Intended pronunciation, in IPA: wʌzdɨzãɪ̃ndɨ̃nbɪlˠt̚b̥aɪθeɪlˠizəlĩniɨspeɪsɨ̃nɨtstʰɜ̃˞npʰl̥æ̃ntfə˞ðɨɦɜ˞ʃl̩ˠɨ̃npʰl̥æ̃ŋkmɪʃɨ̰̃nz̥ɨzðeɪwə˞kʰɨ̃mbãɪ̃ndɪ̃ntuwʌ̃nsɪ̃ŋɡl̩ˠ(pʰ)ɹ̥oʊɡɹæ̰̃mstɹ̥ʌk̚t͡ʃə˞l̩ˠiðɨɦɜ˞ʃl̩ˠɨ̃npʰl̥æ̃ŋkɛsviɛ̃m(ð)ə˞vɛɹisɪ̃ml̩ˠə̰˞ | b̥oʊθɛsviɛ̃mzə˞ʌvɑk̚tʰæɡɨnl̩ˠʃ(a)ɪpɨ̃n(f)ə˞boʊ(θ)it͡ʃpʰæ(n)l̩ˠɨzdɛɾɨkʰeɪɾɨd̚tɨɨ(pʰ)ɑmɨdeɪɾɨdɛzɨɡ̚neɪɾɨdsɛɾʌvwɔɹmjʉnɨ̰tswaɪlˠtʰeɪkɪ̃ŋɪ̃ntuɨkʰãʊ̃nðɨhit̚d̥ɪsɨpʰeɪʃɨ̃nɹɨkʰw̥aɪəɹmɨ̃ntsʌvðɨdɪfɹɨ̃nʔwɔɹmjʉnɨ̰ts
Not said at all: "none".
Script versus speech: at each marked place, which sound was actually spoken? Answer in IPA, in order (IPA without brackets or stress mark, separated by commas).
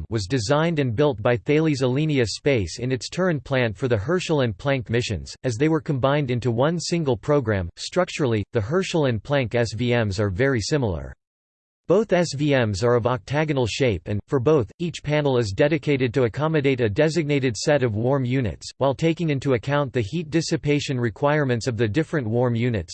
pʰ, z, e, f, θ, n, kʰ